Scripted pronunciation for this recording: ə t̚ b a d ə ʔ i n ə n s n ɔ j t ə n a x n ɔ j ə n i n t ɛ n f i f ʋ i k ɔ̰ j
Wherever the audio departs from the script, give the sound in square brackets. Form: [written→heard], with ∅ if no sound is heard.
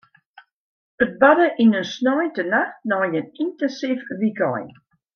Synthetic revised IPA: ə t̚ b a d ə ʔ i n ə n s n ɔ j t ə n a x n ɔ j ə n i n t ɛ n [f→s] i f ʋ i k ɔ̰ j